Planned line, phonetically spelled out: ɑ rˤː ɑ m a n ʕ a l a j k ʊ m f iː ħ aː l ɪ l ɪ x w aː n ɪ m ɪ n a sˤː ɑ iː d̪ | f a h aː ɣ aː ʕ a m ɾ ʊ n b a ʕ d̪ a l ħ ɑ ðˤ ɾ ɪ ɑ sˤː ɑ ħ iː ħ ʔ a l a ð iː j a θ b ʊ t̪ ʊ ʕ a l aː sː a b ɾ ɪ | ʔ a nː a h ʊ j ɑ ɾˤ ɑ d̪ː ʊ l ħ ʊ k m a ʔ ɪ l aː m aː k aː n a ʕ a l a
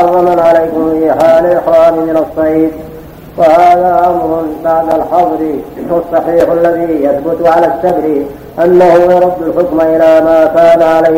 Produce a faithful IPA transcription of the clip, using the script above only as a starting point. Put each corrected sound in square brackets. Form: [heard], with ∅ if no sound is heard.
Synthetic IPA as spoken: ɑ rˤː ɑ m a n ʕ a l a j k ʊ m f iː ħ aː l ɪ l ɪ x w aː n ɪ m ɪ n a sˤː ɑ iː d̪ | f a h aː [ð] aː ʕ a m ɾ ʊ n b a ʕ d̪ a l ħ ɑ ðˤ ɾ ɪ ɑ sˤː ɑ ħ iː ħ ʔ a [lː] a ð iː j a θ b ʊ t̪ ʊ ʕ a l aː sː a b ɾ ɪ | ʔ a nː a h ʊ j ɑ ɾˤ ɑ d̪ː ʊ l ħ ʊ k m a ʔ ɪ l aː m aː k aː n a ʕ a l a